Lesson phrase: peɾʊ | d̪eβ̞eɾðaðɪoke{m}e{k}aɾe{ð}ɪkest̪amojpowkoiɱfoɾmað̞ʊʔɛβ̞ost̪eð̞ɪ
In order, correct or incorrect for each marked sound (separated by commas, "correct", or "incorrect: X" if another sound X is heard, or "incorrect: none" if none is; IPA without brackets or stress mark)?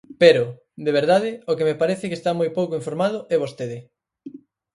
correct, incorrect: p, incorrect: θ